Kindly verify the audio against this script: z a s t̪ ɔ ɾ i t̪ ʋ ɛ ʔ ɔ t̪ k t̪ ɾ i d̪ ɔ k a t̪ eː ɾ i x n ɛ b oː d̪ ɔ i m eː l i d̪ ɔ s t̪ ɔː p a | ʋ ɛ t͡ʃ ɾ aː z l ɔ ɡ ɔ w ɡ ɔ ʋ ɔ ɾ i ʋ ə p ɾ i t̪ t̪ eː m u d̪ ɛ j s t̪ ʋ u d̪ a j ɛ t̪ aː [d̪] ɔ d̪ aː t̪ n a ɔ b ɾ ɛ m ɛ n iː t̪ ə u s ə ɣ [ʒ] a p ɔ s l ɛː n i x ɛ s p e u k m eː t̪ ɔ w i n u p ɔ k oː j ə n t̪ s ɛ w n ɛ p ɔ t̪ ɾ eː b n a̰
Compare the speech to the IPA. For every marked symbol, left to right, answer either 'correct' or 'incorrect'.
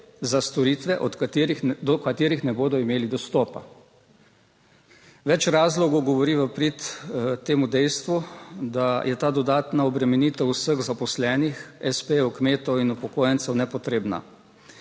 correct, incorrect

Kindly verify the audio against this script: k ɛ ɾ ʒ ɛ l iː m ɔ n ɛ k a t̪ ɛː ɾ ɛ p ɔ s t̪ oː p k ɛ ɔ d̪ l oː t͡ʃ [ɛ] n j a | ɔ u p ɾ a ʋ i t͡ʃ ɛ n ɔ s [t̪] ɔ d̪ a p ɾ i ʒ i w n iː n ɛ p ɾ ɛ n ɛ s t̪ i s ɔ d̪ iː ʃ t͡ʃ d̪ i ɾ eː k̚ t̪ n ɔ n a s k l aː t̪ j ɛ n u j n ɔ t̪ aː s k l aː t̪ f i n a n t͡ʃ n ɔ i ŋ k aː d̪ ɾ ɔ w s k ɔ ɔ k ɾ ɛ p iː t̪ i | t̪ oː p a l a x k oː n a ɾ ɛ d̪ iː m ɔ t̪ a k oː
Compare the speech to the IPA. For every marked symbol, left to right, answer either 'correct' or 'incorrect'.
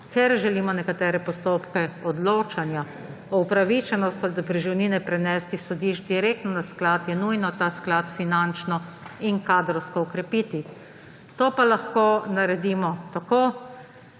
incorrect, correct

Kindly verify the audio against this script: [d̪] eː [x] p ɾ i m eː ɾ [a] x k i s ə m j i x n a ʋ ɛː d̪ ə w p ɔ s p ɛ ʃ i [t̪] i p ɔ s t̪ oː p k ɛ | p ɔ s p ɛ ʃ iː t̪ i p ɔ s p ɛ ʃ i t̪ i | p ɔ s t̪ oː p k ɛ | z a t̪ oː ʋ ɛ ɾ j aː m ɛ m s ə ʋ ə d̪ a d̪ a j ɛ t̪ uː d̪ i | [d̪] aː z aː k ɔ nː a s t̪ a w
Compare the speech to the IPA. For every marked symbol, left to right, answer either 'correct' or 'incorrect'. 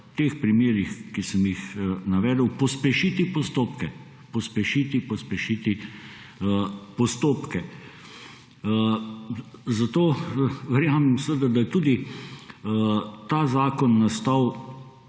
incorrect, correct, incorrect, correct, incorrect

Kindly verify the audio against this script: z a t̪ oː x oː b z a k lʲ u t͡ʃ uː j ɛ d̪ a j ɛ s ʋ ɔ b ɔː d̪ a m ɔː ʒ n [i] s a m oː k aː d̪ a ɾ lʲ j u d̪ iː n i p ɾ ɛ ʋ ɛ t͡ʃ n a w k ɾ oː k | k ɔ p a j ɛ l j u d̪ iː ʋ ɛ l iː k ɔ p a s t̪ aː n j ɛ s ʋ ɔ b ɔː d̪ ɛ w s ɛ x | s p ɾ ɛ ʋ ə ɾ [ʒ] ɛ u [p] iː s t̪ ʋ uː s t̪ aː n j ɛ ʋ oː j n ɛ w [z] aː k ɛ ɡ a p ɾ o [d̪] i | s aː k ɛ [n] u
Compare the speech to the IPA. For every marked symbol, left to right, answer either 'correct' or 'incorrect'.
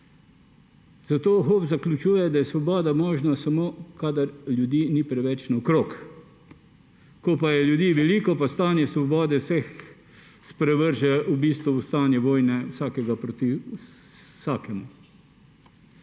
incorrect, correct, incorrect, incorrect, incorrect, incorrect

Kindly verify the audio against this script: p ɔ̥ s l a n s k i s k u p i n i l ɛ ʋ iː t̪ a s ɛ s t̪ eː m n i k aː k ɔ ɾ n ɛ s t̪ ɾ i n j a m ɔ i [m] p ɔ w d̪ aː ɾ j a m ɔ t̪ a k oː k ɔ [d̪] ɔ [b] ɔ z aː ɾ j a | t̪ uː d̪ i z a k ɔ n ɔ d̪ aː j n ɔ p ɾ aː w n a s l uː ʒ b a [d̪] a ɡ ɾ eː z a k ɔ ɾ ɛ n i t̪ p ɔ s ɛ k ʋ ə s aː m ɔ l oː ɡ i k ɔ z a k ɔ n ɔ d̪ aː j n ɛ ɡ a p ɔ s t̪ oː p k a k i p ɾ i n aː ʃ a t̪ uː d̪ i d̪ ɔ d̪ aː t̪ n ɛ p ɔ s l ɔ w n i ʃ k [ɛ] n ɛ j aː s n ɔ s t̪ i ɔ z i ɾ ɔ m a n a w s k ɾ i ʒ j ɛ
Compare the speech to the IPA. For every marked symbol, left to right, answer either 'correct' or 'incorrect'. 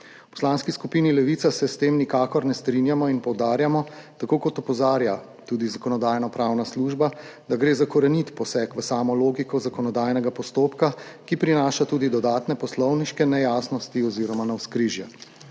incorrect, incorrect, incorrect, correct, correct

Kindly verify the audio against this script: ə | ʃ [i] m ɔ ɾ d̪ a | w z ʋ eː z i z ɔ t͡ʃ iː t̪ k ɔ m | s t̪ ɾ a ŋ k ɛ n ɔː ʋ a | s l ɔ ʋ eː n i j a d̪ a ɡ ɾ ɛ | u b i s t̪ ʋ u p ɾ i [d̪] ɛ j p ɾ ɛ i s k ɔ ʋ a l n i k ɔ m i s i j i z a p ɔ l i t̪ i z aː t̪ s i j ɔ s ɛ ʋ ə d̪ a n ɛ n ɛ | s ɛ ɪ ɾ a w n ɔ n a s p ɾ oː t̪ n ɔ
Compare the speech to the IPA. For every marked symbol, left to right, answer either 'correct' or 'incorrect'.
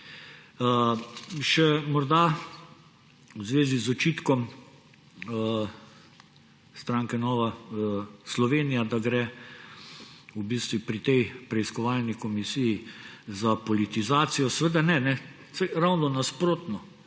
incorrect, incorrect

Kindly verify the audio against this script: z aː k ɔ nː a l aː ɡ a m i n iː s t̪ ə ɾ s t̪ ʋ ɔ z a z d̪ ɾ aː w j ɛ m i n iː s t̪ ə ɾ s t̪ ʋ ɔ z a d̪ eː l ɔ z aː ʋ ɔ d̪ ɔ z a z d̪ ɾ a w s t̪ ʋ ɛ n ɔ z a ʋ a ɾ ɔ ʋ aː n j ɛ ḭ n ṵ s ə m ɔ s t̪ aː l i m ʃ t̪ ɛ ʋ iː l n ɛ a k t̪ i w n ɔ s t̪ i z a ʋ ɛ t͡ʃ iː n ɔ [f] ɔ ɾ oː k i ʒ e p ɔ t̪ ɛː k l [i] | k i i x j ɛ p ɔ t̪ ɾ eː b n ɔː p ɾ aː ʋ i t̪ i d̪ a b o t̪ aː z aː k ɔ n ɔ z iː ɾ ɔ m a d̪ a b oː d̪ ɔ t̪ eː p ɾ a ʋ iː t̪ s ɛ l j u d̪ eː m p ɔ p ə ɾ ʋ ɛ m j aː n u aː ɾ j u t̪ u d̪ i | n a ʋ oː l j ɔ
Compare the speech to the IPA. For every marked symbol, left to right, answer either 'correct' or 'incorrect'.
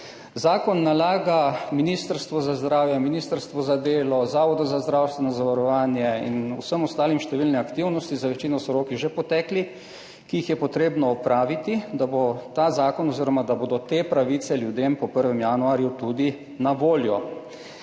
incorrect, correct

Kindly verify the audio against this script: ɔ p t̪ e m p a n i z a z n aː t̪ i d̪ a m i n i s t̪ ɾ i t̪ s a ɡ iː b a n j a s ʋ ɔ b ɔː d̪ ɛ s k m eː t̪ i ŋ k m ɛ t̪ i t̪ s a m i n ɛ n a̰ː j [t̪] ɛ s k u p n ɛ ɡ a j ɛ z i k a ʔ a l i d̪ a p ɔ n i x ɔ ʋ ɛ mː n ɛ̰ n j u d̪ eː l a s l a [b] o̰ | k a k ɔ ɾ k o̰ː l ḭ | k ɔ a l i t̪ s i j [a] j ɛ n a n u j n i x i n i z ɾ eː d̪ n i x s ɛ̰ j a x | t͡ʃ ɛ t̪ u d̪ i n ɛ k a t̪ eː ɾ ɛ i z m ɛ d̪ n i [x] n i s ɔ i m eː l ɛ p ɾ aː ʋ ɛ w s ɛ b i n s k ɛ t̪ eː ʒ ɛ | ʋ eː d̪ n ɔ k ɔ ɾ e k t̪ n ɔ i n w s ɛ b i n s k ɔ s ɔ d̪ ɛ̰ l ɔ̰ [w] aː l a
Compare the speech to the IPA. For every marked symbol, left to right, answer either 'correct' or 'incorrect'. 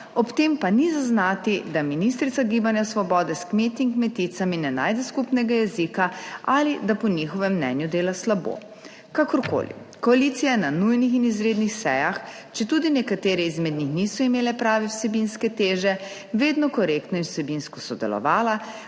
incorrect, correct, correct, correct, incorrect

